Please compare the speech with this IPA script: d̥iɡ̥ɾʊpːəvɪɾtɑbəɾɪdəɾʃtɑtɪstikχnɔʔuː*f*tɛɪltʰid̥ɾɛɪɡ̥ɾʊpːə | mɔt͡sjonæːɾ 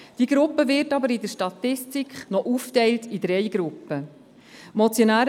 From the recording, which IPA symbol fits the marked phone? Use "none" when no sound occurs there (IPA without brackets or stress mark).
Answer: f